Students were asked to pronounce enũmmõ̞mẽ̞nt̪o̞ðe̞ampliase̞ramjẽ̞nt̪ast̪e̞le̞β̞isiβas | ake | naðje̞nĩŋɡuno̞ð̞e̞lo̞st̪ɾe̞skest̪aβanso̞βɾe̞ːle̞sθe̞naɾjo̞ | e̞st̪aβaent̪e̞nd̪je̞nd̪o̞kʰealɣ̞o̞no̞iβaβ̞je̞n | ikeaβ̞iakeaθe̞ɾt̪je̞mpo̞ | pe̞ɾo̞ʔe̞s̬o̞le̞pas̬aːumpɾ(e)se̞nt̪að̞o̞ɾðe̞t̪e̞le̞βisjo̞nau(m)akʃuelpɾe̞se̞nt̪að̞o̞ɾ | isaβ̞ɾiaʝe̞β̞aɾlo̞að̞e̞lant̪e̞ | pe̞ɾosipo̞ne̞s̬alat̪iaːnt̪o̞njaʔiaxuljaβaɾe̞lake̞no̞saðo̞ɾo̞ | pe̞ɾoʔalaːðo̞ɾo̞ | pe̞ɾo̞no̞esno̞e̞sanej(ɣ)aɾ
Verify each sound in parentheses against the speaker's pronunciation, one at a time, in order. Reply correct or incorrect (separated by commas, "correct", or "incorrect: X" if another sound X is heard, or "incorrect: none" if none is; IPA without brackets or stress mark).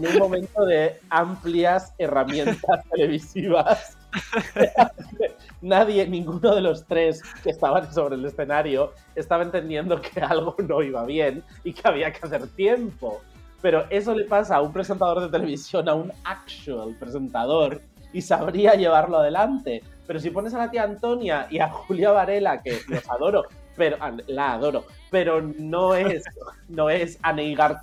correct, incorrect: n, correct